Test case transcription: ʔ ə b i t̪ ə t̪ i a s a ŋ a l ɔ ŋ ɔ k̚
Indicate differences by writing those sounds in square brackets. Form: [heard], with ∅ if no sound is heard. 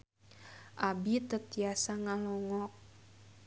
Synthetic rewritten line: ʔ [a] b i t̪ ə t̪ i a s a ŋ a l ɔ ŋ ɔ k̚